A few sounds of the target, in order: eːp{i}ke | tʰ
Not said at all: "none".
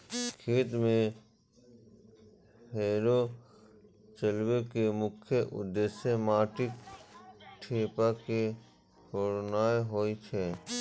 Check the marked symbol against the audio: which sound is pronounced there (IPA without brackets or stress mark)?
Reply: a